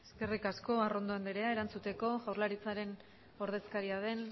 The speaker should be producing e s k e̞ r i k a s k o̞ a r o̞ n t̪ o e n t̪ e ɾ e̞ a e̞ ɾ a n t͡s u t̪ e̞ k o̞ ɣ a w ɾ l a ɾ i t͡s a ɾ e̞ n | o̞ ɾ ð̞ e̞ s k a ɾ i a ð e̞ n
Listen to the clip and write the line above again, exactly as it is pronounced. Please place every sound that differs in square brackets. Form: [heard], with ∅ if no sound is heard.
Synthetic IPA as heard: e s k e̞ r i k a s k o̞ a r o̞ n [d̪] o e n [d̪] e ɾ e̞ a e̞ ɾ a n t͡s u t̪ e̞ k o̞ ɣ a w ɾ l a ɾ i t͡s a ɾ e̞ n | o̞ ɾ ð̞ e̞ s k a ɾ i a ð e̞ n